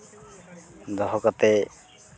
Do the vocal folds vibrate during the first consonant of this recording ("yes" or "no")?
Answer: yes